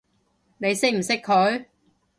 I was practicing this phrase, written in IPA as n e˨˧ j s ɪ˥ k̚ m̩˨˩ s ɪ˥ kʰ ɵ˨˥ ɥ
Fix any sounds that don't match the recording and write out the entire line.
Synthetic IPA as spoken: n e˨˧ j s ɪ˥ k̚ m̩˨˩ s ɪ˥ kʰ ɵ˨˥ ɥ